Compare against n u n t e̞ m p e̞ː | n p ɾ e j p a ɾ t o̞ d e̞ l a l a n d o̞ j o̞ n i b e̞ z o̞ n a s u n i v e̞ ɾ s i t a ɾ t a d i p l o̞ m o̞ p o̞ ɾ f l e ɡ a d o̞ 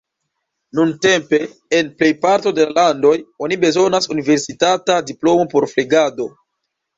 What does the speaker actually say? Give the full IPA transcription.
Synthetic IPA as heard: n u n t e̞ m p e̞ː | n p l e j p a ɾ t o̞ d e̞ l a l a n d o̞ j o̞ n i b e̞ z o̞ n a s u n i v e̞ ɾ s i t a t a d i p l o̞ m o̞ p o̞ ɾ f l e ɡ a d o̞

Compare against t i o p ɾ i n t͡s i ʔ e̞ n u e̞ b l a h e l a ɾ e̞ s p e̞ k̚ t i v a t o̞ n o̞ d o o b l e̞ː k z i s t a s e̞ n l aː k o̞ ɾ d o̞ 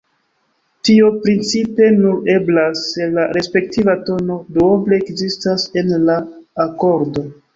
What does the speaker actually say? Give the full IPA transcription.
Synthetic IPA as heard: t i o p ɾ i n t͡s i p e̞ n u e̞ b l a s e l a ɾ e̞ s p e̞ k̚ t i v a t o̞ n o̞ d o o b l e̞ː k z i s t a s e̞ n l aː k o̞ ɾ d o̞

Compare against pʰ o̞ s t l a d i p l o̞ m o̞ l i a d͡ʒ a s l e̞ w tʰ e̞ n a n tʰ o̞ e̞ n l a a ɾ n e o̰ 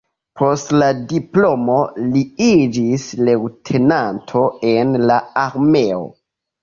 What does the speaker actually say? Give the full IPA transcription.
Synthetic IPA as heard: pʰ o̞ s t l a d i p l o̞ m o̞ l i i d͡ʒ i s l e̞ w tʰ e̞ n a n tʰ o̞ e̞ n l a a ɾ m e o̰

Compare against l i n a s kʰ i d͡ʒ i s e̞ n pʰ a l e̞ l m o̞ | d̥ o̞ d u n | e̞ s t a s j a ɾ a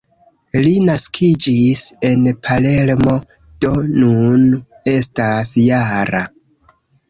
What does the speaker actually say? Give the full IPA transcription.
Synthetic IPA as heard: l i n a s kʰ i d͡ʒ i s e̞ n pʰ a l e̞ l m o̞ | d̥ o̞ n u n | e̞ s t a s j a ɾ a

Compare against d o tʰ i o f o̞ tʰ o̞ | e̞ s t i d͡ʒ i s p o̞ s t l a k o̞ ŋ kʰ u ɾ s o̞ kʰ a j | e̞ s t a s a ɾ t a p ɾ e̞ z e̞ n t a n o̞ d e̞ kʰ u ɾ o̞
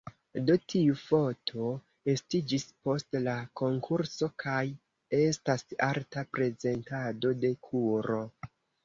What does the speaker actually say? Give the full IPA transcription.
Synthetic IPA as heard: d o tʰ i u f o̞ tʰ o̞ | e̞ s t i d͡ʒ i s p o̞ s t l a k o̞ ŋ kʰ u ɾ s o̞ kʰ a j | e̞ s t a s a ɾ t a p ɾ e̞ z e̞ n t a d o̞ d e̞ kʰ u ɾ o̞

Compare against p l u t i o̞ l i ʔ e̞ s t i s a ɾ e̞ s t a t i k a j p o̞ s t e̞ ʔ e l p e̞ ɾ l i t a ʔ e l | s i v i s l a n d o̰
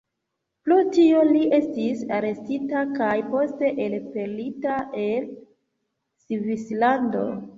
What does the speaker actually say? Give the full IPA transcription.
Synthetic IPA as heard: p l u t i o̞ l i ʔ e̞ s t i s a ɾ e̞ s t i t a k a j p o̞ s t e̞ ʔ e l p e̞ ɾ l i t a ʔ e l | s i v i s l a n d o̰

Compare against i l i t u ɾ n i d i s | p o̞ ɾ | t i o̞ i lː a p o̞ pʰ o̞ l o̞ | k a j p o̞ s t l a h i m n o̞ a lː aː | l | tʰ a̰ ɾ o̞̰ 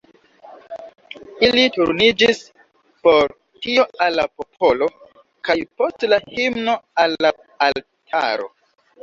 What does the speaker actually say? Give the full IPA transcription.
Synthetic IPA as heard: i l i t u ɾ n i d͡ʒ i s | p o̞ ɾ | t i o̞ a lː a p o̞ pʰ o̞ l o̞ | k a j p o̞ s t l a h i m n o̞ a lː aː | l | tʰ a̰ ɾ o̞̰

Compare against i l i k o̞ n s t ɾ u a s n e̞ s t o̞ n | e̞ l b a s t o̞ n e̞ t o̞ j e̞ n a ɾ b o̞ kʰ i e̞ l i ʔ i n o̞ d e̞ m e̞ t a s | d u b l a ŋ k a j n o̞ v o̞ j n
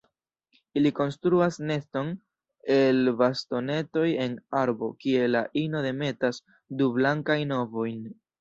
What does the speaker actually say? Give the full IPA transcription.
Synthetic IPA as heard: i l i k o̞ n s t ɾ u a s n e̞ s t o̞ n | e̞ l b a s t o̞ n e̞ t o̞ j e̞ n a ɾ b o̞ k i e̞ l a ʔ i n o̞ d e̞ m e̞ t a s | d u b l a ŋ k a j n o̞ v o̞ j n

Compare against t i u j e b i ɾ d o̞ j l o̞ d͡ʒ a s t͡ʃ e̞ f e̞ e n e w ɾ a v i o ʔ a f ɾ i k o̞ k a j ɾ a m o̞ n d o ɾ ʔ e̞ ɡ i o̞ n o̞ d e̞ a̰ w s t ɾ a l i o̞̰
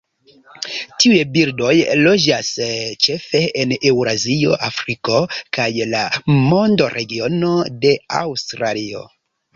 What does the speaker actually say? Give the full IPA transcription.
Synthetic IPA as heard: t i u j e b i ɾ d o̞ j l o̞ d͡ʒ a s t͡ʃ e̞ f e̞ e n e w ɾ a z i o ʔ a f ɾ i k o̞ k a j l a m o̞ n d o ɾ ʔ e̞ ɡ i o̞ n o̞ d e̞ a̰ w s t ɾ a l i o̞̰

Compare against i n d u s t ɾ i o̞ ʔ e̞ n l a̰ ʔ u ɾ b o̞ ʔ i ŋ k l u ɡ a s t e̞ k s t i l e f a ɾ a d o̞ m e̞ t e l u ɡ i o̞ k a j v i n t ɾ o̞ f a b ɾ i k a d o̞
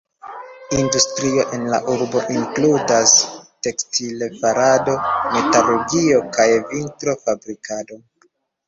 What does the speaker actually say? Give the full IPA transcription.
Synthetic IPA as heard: i n d u s t ɾ i o̞ ʔ e̞ n l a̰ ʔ u ɾ b o̞ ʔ i ŋ k l u d a s t e̞ k s t i l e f a ɾ a d o̞ m e̞ t a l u ɡ i o̞ k a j v i n t ɾ o̞ f a b ɾ i k a d o̞

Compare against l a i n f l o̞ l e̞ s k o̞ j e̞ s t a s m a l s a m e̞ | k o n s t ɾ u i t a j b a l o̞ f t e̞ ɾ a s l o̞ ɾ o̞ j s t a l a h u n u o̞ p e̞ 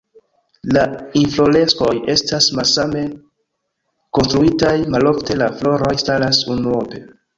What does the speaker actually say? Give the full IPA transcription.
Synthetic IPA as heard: l a i n f l o̞ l e̞ s k o̞ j e̞ s t a s m a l s a m e̞ | k o n s t ɾ u i t a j m a l o̞ f t e̞ l a f l o̞ ɾ o̞ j s t a l a s u n u o̞ p e̞

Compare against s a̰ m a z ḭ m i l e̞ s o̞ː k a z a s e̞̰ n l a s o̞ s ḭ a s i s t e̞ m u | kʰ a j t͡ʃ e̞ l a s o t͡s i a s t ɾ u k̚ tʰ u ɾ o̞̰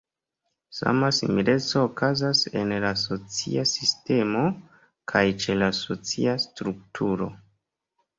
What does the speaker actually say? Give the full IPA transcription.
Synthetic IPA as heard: s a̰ m a s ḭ m i l e̞ t͡s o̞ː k a z a s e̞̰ n l a s o̞ t͡s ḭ a s i s t e̞ m o | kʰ a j t͡ʃ e̞ l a s o t͡s i a s t ɾ u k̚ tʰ u ɾ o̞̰

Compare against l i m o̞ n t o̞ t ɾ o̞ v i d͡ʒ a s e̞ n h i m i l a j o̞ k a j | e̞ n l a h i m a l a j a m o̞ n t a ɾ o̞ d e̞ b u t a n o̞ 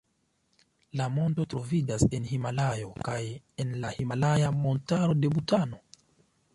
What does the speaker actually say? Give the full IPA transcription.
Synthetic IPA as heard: l a m o̞ n t o̞ t ɾ o̞ v i d͡ʒ a s e̞ n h i m a l a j o̞ k a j | e̞ n l a h i m a l a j a m o̞ n t a ɾ o̞ d e̞ b u t a n o̞

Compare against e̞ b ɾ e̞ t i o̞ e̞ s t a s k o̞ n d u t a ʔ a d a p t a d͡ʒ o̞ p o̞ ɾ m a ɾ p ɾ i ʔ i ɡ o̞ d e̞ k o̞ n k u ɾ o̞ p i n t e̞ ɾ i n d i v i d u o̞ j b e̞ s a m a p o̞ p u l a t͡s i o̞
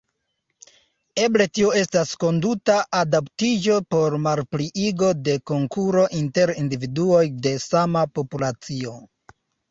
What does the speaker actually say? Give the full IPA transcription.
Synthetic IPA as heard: e̞ b l e̞ t i o̞ e̞ s t a s k o̞ n d u t a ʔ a d a p t i d͡ʒ o̞ p o̞ ɾ m a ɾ p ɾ i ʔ i ɡ o̞ d e̞ k o̞ ŋ k u ɾ o̞ ʔ i n t e̞ ɾ i n d i v i d u o̞ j d e̞ s a m a p o̞ p u l a t͡s i o̞

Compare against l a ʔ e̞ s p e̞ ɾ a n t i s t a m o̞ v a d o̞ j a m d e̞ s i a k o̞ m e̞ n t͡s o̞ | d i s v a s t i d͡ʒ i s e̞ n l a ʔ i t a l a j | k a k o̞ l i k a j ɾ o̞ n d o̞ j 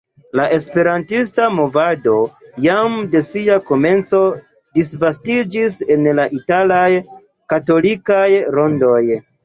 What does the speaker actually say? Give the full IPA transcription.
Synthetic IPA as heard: l a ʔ e̞ s p e̞ ɾ a n t i s t a m o̞ v a d o̞ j a m d e̞ s i a k o̞ m e̞ n t͡s o̞ | d i s v a s t i d͡ʒ i s e̞ n l a ʔ i t a l a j | k a t o̞ l i k a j ɾ o̞ n d o̞ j

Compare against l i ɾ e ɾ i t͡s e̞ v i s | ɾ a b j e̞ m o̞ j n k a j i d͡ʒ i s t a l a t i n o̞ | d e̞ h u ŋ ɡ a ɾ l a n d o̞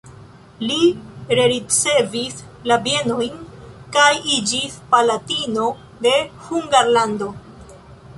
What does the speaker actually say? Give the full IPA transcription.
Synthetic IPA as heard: l i ɾ e ɾ i t͡s e̞ v i s | l a b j e̞ n o̞ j n k a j i d͡ʒ i s p a l a t i n o̞ | d e̞ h u ŋ ɡ a ɾ l a n d o̞

